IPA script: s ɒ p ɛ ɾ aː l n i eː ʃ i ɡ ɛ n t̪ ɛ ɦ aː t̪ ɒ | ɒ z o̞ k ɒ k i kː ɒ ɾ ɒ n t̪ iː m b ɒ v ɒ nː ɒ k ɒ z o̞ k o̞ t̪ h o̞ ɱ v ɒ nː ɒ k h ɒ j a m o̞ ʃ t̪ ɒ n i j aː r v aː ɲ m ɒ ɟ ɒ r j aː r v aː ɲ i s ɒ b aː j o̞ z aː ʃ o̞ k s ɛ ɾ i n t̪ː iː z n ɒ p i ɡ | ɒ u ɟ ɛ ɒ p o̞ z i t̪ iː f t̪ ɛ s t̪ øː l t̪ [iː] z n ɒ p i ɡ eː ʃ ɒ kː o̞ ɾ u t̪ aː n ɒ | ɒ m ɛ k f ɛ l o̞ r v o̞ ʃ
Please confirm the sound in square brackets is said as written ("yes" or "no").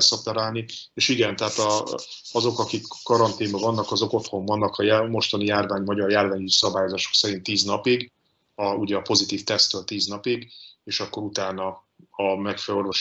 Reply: yes